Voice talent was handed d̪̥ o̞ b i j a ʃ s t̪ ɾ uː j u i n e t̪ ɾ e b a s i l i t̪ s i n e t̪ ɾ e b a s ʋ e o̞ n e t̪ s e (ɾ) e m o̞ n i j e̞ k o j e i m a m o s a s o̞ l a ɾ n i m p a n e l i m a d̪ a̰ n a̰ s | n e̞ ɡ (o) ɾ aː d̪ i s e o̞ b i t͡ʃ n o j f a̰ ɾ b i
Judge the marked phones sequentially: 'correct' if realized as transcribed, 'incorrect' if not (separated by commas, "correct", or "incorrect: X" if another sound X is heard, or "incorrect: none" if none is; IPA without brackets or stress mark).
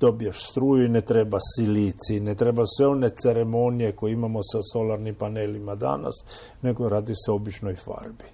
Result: correct, correct